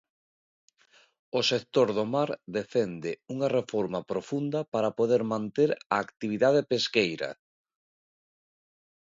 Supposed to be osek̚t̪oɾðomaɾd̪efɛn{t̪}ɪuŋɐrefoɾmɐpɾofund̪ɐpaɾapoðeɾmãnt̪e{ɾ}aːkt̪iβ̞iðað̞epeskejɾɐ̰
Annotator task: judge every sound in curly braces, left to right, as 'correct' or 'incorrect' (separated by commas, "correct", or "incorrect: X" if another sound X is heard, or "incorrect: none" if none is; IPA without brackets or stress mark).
incorrect: d̪, correct